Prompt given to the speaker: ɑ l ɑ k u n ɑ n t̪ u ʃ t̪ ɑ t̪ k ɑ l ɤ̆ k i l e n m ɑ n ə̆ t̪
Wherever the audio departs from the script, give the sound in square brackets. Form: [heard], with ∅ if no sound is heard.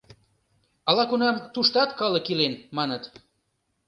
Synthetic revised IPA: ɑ l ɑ k u n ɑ [m] t̪ u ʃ t̪ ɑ t̪ k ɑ l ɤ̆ k i l e n m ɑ n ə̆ t̪